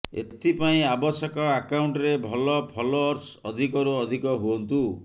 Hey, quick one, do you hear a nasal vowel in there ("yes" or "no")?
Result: yes